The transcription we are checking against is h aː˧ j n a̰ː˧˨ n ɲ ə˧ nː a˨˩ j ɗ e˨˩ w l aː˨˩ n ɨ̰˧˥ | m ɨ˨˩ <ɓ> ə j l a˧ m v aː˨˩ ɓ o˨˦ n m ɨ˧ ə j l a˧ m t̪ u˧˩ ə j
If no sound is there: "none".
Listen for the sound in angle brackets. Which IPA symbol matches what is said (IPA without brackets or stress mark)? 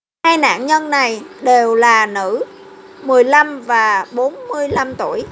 none